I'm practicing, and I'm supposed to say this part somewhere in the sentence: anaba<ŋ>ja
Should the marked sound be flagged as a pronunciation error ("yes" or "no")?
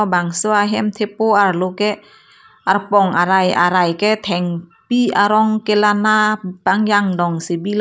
no